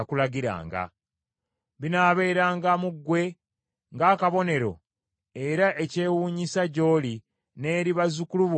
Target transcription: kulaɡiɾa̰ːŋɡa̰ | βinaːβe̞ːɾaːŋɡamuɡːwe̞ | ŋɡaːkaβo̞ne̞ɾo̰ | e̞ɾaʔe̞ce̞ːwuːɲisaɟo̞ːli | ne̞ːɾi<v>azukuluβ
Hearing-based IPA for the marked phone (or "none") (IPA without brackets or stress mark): β